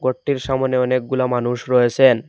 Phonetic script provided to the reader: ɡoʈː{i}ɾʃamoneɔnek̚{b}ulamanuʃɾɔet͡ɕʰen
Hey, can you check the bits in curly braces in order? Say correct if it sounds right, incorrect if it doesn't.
correct, incorrect: ɡ

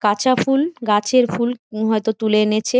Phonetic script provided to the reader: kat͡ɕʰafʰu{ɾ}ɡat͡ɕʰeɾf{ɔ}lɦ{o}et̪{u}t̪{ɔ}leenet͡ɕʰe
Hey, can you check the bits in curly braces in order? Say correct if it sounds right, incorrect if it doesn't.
incorrect: l, incorrect: u, incorrect: ɔ, incorrect: o, incorrect: u

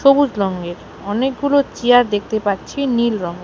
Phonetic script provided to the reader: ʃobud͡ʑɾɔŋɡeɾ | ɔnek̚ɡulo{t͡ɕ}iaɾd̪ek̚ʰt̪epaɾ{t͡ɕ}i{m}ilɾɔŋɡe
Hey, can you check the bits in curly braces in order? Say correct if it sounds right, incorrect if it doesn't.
correct, incorrect: t͡ɕʰ, incorrect: n

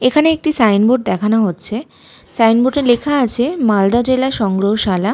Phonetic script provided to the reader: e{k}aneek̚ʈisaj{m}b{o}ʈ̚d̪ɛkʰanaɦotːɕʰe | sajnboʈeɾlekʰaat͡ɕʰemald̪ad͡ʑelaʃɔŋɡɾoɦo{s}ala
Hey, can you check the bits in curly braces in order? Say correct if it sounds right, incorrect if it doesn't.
incorrect: kʰ, incorrect: n, correct, incorrect: ʃ

